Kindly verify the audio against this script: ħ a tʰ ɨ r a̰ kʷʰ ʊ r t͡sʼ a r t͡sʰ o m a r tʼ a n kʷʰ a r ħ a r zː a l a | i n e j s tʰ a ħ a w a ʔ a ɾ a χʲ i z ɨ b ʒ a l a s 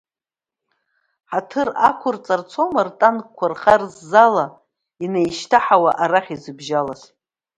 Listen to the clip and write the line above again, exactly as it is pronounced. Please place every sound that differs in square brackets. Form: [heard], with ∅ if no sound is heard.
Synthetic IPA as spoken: ħ a tʰ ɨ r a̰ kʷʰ ʊ r t͡sʼ a r t͡sʰ o m a r tʼ a n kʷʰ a r [χ] a r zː a l a | i n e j [ʃ] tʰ a ħ a w a ʔ a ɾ a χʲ i z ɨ b ʒ a l a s